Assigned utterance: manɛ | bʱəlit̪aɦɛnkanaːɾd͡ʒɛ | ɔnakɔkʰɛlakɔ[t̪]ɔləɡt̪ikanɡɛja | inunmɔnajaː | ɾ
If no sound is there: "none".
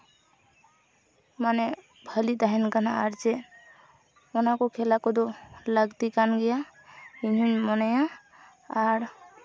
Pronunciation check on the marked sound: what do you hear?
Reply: d̪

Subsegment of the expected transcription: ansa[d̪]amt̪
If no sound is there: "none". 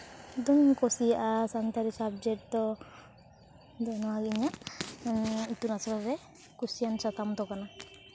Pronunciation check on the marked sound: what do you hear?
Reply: t̪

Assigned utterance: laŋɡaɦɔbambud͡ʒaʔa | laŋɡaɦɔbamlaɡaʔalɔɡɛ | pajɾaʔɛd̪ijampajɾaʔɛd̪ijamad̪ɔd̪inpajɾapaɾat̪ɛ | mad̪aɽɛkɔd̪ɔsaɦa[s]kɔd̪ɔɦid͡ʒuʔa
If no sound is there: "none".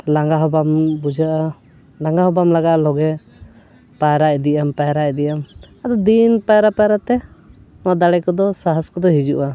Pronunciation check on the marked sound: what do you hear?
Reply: s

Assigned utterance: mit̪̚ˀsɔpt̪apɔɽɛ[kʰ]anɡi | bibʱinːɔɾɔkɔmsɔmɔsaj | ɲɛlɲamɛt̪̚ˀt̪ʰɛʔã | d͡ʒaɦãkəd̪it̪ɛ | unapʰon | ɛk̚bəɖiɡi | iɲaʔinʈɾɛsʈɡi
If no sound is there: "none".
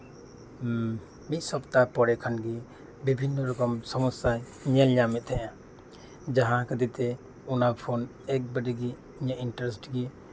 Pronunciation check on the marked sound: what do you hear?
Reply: kʰ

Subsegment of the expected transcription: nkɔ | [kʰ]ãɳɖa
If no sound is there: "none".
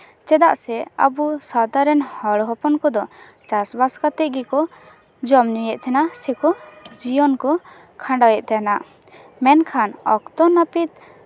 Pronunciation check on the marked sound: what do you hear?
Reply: kʰ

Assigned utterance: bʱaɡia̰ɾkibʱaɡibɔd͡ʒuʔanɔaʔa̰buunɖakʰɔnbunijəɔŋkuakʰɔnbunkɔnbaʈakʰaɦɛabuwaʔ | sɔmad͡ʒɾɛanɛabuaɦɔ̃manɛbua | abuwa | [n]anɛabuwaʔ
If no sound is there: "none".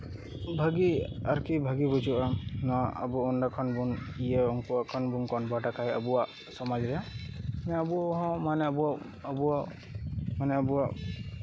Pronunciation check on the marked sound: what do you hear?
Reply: m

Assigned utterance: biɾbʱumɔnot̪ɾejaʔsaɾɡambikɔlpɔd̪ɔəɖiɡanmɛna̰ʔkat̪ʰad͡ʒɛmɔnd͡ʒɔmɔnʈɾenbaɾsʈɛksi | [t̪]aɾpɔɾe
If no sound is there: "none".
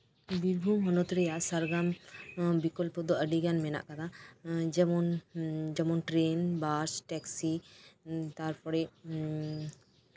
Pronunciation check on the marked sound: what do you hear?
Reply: t̪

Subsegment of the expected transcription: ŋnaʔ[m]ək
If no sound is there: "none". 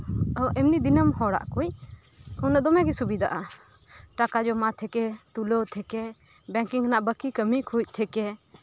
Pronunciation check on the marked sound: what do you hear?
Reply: b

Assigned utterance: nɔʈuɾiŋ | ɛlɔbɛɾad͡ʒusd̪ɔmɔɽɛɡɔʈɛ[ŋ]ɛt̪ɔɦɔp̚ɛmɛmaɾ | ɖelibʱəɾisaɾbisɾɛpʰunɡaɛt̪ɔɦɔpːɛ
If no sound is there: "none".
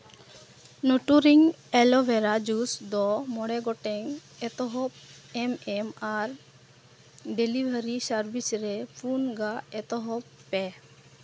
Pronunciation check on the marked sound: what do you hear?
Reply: ŋ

